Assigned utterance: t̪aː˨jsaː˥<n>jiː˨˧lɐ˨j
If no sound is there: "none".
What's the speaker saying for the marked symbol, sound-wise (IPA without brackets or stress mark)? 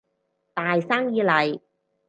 ŋ